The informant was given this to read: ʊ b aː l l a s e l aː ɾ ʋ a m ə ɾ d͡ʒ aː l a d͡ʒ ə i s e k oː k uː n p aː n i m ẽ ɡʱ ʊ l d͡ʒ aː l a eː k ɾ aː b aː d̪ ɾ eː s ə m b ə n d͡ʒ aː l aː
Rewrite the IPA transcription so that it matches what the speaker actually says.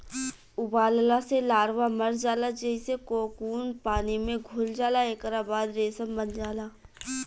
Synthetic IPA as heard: ʊ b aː l l a s e l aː ɾ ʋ a m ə ɾ d͡ʒ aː l a d͡ʒ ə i s e k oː k uː n p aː n i m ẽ ɡʱ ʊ l d͡ʒ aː l a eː k ɾ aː b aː d̪ ɾ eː s ə m b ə n d͡ʒ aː l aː

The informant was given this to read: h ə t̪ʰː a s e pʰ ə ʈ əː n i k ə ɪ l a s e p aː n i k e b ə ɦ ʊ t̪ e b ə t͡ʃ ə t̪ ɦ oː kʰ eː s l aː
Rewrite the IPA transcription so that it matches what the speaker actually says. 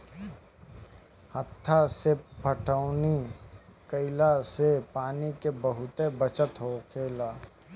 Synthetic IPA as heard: h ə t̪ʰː a s e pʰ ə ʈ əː n i k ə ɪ l a s e p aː n i k e b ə ɦ ʊ t̪ e b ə t͡ʃ ə t̪ ɦ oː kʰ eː l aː

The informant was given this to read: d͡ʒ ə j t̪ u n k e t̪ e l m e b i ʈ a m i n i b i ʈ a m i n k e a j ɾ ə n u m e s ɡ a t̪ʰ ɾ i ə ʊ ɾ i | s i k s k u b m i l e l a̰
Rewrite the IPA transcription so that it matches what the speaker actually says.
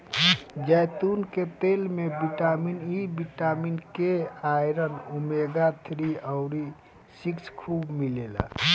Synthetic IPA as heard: d͡ʒ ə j t̪ u n k e t̪ e l m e b i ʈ a m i n i b i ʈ a m i n k e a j ɾ ə n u m e ɡ a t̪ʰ ɾ i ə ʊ ɾ i | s i k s kʰ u b m i l e l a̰

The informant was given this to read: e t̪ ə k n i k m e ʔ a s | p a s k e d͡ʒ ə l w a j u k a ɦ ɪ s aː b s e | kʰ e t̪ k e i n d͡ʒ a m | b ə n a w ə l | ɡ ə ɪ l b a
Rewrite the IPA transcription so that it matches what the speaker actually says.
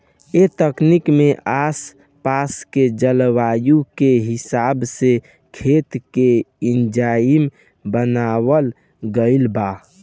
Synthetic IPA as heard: e t̪ ə k n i k m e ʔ a s | p a s k e d͡ʒ ə l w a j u k e ɦ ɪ s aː b s e | kʰ e t̪ k e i n d͡ʒ a m | b ə n a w ə l | ɡ ə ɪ l b a

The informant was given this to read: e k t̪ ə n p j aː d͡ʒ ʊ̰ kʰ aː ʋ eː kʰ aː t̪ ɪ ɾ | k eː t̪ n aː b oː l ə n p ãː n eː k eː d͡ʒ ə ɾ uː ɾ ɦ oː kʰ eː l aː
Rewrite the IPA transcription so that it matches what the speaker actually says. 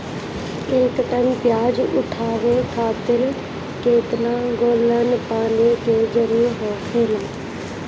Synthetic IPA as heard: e k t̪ ə n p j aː d͡ʒ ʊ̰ ʈʰ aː ʋ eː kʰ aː t̪ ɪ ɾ | k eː t̪ n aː ɡ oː l ə n p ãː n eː k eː d͡ʒ ə ɾ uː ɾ ɦ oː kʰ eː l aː

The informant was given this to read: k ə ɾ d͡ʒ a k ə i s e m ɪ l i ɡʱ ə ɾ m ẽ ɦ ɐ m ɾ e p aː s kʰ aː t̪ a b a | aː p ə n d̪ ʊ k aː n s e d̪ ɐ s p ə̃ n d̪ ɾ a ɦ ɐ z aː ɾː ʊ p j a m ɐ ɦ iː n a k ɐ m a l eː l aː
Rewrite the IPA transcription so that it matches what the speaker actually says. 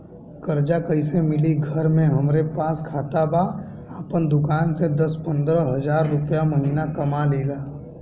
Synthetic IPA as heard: k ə ɾ d͡ʒ a k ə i s e m ɪ l i ɡʱ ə ɾ m ẽ ɦ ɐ m ɾ e p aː s kʰ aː t̪ a b a | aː p ə n d̪ ʊ k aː n s e d̪ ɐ s p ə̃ n d̪ ɾ ə ɦ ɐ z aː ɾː ʊ p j a m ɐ ɦ iː n a k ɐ m a l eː l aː

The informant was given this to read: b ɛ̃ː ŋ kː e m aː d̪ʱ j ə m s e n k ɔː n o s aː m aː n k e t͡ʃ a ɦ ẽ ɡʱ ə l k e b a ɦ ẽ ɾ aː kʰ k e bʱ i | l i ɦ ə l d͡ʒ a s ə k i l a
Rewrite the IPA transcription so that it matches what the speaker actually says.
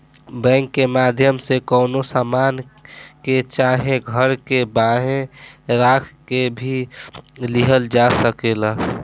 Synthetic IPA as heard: b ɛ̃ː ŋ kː e m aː d̪ʱ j ə m s e k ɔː n o s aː m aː n k e t͡ʃ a ɦ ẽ ɡʱ ə ɾ k e b a ɦ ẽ ɾ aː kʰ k e bʱ i | l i ɦ ə l d͡ʒ a s ə k e l a

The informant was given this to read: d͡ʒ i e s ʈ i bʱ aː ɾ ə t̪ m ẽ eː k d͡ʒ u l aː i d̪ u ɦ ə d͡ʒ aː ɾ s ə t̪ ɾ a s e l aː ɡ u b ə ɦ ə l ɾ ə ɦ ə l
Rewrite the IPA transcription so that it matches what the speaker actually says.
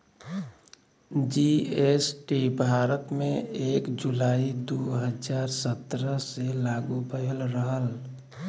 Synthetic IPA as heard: d͡ʒ i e s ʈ i bʱ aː ɾ ə t̪ m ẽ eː k d͡ʒ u l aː i d̪ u ɦ ə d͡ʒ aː ɾ s ə t̪ ɾ ə s e l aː ɡ u b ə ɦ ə l ɾ ə ɦ ə l

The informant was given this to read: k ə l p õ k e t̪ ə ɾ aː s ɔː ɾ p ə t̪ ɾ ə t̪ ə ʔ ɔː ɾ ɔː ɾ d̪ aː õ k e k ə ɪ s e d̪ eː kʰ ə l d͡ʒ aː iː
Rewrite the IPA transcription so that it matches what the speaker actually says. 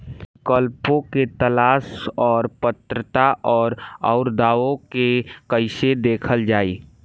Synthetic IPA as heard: k ə l p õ k e t̪ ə l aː s ɔː ɾ p ə t̪ ɾ ə t̪ a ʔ ɔː ɾ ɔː ɾ d̪ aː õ k e k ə ɪ s e d̪ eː kʰ ə l d͡ʒ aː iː

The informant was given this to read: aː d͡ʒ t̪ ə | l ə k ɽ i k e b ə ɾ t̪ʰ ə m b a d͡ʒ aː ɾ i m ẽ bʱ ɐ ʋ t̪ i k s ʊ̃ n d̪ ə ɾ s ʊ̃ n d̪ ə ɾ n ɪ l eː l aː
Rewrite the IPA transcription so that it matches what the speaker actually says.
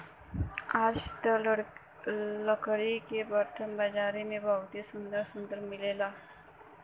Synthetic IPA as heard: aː d͡ʒ t̪ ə | l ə k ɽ i k e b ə ɾ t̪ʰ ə m b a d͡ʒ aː ɾ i m ẽ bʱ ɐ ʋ t̪ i s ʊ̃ n d̪ ə ɾ s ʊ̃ n d̪ ə ɾ m ɪ l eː l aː

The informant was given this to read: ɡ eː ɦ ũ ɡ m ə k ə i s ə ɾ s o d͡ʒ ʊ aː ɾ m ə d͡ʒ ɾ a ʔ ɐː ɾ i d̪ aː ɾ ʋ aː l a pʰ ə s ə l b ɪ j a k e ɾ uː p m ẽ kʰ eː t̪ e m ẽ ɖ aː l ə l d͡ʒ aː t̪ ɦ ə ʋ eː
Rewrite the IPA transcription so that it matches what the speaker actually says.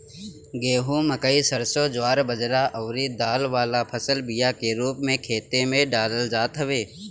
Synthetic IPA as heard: ɡ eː ɦ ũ m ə k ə i s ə ɾ s o d͡ʒ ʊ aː ɾ b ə d͡ʒ ɾ a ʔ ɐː ɾ i d̪ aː l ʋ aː l a pʰ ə s ə l b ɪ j a k e ɾ uː p m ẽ kʰ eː t̪ e m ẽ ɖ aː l ə l d͡ʒ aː t̪ ɦ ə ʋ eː

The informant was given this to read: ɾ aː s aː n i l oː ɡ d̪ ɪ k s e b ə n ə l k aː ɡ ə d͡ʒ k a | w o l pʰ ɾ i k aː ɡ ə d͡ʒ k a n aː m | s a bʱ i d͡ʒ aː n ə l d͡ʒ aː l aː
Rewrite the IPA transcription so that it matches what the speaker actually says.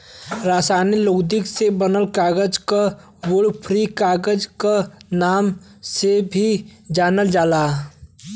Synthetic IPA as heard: ɾ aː s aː n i l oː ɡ d̪ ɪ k s e b ə n ə l k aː ɡ ə d͡ʒ k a | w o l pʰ ɾ i k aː ɡ ə d͡ʒ k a n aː m | s e bʱ i d͡ʒ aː n ə l d͡ʒ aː l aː

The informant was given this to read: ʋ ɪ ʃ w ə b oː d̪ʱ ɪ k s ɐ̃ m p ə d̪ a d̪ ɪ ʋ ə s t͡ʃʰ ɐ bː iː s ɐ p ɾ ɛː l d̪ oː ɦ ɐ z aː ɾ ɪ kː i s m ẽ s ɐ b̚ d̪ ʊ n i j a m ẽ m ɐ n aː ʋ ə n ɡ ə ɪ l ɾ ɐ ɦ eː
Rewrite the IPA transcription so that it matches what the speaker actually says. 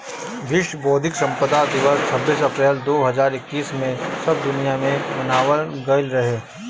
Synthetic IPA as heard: ʋ ɪ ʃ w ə b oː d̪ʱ ɪ k s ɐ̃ m p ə d̪ a d̪ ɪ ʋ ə s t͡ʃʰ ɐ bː iː s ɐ p ɾ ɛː l d̪ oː ɦ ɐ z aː ɾ ɪ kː iː s m ẽ s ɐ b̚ d̪ ʊ n i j a m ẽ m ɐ n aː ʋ ə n ɡ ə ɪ l ɾ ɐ ɦ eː

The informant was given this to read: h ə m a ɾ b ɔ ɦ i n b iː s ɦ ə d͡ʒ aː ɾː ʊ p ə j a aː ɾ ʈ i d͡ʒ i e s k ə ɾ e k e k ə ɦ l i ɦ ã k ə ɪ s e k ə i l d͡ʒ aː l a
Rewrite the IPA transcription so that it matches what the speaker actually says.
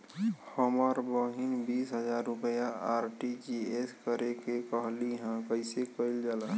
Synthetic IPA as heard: h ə m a ɾ b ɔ ɦ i n b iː s ɦ ə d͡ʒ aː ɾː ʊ p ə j a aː ɾ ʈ i d͡ʒ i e s k ə ɾ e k e k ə ɦ l i ɦ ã k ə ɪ s e k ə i l d͡ʒ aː l a

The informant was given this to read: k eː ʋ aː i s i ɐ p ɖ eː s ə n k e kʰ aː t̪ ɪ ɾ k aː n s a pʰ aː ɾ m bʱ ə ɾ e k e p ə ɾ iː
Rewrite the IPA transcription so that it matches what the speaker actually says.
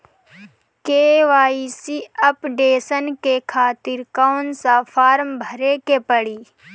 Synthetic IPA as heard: k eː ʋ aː i s i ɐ p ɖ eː s ə n k e kʰ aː t̪ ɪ ɾ k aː n s a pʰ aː ɾ m bʱ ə ɾ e k e p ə ɽ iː

